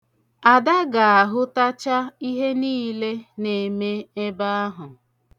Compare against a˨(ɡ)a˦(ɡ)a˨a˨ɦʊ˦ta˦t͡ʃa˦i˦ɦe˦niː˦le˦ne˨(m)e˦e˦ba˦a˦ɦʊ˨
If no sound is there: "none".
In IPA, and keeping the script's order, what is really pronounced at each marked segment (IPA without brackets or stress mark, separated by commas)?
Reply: d, ɡ, m